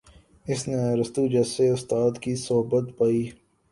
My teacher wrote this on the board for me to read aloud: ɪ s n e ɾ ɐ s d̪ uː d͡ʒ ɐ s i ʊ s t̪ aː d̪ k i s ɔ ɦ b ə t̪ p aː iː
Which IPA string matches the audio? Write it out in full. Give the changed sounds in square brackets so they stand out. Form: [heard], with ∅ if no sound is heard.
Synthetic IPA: ɪ s n e ɾ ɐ s [t̪] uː d͡ʒ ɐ s [e] ʊ s t̪ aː d̪ k i s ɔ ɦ b ə t̪ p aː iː

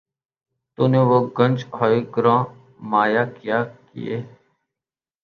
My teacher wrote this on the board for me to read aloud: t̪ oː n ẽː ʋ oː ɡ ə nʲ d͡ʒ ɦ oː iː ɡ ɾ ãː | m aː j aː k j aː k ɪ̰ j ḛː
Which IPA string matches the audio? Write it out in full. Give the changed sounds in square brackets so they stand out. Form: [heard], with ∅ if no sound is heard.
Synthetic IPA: t̪ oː n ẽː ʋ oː ɡ ə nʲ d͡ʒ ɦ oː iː ɡ ɾ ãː | m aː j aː k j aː k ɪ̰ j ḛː

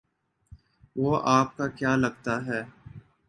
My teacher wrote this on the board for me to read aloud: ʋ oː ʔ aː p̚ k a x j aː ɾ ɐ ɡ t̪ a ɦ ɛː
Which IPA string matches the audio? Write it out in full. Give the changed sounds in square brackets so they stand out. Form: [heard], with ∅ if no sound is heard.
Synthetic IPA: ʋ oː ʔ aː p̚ k a [k] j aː [l] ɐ ɡ t̪ a ɦ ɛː

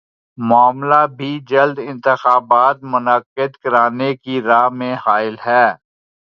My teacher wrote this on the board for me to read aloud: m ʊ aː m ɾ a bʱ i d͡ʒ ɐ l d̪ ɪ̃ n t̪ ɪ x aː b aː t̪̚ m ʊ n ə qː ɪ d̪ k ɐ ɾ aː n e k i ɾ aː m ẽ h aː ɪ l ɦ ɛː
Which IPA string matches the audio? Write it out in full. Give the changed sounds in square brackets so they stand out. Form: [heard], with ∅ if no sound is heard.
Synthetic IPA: m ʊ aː m [l] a bʱ i d͡ʒ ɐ l d̪ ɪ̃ n t̪ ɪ x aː b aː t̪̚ m ʊ n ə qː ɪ d̪ k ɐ ɾ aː n e k i ɾ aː m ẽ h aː ɪ l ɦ ɛː

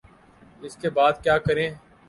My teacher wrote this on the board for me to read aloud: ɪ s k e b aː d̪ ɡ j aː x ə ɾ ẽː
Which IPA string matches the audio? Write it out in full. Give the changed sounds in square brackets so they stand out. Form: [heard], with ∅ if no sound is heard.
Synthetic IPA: ɪ s k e b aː d̪ [k] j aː [k] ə ɾ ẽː

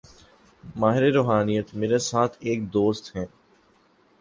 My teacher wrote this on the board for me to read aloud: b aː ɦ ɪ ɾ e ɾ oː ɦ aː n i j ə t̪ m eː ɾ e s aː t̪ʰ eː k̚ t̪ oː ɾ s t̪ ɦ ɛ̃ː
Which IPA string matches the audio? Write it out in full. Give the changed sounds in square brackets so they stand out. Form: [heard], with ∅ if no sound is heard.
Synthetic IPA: [m] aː ɦ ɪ ɾ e ɾ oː ɦ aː n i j ə t̪ m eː ɾ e s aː t̪ʰ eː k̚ [d̪] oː [∅] s t̪ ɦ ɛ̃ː

